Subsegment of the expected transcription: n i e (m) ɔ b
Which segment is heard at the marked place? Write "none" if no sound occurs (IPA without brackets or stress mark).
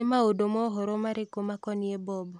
b